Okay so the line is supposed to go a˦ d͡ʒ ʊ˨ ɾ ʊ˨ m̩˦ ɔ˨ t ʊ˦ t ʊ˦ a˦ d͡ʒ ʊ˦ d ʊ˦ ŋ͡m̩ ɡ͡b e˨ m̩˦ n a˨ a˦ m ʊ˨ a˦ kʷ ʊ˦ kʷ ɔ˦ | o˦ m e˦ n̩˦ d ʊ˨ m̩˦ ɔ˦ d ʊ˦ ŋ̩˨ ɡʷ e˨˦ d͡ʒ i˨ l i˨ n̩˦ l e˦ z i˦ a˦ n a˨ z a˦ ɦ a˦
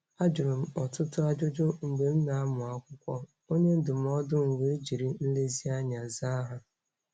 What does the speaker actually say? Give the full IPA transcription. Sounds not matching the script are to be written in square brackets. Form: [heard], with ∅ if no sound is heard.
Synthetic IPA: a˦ d͡ʒ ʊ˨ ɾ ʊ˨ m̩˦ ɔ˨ t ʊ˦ t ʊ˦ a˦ d͡ʒ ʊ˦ [d͡ʒ] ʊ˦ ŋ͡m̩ ɡ͡b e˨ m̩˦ n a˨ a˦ m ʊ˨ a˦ kʷ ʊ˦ kʷ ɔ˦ | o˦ [ɲ] e˦ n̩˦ d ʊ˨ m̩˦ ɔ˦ d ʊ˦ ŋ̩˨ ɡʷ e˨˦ d͡ʒ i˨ [ɾ] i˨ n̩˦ l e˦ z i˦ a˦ [ɲ] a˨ z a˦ ɦ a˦

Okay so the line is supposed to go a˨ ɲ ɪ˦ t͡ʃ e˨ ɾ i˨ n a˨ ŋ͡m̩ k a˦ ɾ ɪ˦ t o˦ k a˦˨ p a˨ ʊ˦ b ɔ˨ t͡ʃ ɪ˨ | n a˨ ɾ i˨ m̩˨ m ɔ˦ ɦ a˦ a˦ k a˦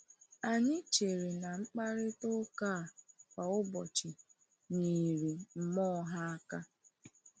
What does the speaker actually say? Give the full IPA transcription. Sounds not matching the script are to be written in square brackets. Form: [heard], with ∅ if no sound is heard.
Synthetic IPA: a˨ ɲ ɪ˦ t͡ʃ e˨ ɾ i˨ n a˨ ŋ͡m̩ [k͡p] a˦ ɾ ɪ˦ t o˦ k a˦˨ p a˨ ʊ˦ b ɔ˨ t͡ʃ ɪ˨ | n [i˨] ɾ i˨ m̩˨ m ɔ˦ ɦ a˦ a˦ k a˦

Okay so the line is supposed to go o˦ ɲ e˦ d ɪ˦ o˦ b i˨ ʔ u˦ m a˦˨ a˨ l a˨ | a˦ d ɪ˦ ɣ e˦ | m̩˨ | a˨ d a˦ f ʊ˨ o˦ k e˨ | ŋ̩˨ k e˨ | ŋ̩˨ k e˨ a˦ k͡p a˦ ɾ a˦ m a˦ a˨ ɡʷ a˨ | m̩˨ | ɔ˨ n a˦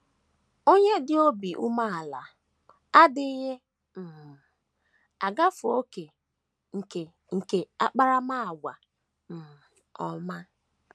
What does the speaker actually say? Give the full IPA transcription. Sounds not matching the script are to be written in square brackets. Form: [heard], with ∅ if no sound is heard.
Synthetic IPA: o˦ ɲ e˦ d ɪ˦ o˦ b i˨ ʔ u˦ m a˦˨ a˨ l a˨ | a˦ d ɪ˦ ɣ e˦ | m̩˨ | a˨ [ɡ] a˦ f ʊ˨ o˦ k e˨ | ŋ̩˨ k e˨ | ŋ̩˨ k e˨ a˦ k͡p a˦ ɾ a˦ m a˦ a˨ ɡʷ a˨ | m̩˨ | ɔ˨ [m] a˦

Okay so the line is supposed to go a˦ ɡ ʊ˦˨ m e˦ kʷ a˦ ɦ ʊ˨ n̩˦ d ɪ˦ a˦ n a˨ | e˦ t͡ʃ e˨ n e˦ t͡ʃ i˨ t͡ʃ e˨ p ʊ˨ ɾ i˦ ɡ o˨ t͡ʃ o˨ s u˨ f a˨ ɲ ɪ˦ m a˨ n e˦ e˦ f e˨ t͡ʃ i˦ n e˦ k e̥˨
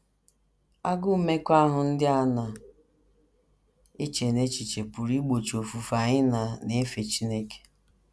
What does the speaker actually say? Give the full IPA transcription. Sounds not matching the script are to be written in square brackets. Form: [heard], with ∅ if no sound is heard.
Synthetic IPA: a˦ ɡ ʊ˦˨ m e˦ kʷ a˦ ɦ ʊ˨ n̩˦ d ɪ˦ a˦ n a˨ | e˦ t͡ʃ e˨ n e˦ t͡ʃ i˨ t͡ʃ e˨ p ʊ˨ ɾ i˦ [ɡ͡b] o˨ t͡ʃ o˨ [f] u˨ f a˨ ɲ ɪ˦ [n] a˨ n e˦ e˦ f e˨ t͡ʃ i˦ n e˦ k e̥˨

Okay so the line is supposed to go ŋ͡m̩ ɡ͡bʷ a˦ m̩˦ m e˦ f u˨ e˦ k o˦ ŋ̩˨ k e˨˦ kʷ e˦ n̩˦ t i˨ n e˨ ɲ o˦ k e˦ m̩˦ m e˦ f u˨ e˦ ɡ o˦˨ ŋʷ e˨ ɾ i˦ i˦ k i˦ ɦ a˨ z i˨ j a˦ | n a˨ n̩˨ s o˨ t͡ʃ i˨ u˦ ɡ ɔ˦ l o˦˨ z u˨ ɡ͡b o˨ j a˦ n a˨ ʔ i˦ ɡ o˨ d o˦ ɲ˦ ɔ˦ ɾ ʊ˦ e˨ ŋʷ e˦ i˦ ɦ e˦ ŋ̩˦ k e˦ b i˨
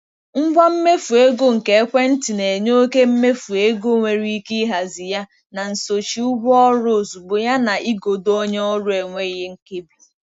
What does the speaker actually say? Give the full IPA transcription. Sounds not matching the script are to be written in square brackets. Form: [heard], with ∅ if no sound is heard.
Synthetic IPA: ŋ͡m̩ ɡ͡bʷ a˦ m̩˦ m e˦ f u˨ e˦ [ɡ] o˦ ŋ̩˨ k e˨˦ kʷ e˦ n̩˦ t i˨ n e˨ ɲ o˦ k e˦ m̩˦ m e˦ f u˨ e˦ ɡ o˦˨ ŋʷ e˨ ɾ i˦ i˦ k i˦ ɦ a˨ z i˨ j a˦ | n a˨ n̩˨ s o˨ t͡ʃ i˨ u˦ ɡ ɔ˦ [ɾ] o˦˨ z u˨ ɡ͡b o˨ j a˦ n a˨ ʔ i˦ ɡ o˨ d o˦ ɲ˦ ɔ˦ ɾ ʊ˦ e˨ ŋʷ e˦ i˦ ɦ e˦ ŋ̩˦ k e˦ b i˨

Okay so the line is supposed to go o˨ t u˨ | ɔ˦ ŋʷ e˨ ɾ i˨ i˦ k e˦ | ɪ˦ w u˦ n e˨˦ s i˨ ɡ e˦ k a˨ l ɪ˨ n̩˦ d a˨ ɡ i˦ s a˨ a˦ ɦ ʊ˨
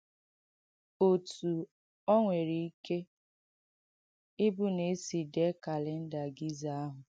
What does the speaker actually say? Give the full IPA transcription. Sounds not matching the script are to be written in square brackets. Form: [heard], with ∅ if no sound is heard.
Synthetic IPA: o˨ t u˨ | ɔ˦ ŋʷ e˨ ɾ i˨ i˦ k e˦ | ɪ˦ [b] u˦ n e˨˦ s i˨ [d] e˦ k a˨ l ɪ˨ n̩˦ d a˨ ɡ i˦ [z] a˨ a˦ ɦ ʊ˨

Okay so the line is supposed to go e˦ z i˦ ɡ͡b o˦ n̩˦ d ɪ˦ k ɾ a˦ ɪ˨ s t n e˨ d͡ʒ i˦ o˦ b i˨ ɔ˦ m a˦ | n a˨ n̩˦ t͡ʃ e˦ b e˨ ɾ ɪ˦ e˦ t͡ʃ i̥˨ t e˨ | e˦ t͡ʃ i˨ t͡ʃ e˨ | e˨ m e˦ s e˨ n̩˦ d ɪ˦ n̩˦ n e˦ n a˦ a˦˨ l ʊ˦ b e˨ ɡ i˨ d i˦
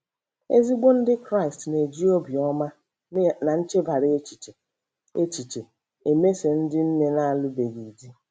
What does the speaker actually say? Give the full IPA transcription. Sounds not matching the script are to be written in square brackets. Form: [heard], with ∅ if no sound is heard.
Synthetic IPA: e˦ z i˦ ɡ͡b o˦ n̩˦ d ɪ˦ k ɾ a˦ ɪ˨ s t n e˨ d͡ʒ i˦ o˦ b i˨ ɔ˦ m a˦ | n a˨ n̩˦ t͡ʃ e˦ b [a˨] ɾ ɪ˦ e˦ t͡ʃ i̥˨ [t͡ʃ] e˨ | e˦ t͡ʃ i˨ t͡ʃ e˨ | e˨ m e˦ s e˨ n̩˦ d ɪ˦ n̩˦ n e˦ n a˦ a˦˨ l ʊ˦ b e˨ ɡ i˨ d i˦

